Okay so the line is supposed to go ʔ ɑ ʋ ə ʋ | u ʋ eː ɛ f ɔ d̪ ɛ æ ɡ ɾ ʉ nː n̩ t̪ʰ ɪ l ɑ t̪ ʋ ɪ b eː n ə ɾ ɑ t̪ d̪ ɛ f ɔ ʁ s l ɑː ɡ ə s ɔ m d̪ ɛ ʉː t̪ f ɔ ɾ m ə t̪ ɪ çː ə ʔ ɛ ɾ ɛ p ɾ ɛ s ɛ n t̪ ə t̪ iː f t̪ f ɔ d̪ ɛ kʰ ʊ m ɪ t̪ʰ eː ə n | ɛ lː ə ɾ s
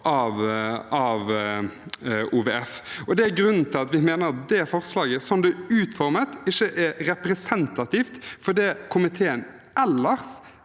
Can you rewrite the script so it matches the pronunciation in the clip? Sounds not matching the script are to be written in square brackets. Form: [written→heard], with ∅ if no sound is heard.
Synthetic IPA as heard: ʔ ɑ ʋ [ə→ɑ] ʋ | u ʋ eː ɛ f ɔ d̪ ɛ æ ɡ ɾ ʉ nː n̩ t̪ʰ ɪ l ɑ t̪ ʋ ɪ [b→m] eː n ə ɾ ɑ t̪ d̪ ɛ f ɔ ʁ s l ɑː ɡ ə s ɔ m d̪ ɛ ʉː t̪ f ɔ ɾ m ə t̪ ɪ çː ə ʔ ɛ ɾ ɛ p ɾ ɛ s ɛ n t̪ [ə→ɑ] t̪ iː f t̪ f ɔ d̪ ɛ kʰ ʊ m ɪ t̪ʰ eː ə n | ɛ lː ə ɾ s